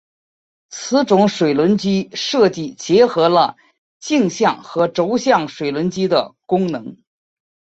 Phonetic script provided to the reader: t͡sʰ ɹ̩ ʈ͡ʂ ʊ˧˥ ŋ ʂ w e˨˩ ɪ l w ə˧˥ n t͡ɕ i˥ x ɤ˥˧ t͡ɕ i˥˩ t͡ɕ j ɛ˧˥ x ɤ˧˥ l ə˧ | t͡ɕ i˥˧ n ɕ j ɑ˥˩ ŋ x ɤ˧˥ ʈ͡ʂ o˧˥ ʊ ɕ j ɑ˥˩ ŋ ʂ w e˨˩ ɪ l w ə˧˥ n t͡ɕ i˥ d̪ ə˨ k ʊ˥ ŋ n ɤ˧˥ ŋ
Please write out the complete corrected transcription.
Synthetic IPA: t͡sʰ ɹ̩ ʈ͡ʂ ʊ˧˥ ŋ ʂ w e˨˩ ɪ l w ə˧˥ n t͡ɕ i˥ ʂ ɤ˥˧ t͡ɕ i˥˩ t͡ɕ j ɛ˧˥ x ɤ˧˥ l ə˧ | t͡ɕ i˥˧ ŋ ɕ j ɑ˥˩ ŋ x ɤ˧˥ ʈ͡ʂ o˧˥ ʊ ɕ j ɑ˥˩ ŋ ʂ w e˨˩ ɪ l w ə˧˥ n t͡ɕ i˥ d̪ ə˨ k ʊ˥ ŋ n ɤ˧˥ ŋ